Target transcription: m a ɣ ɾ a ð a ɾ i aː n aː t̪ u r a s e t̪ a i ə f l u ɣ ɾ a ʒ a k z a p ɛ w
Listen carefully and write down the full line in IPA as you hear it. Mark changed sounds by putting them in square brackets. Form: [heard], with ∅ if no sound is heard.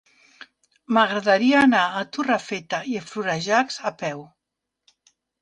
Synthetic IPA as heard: m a ɣ ɾ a ð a ɾ i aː n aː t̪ u r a [f] e t̪ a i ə f l u [∅] ɾ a ʒ a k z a p ɛ w